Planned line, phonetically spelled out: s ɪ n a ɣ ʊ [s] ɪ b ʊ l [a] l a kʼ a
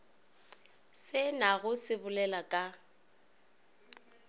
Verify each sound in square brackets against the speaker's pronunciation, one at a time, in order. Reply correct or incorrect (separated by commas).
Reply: correct, incorrect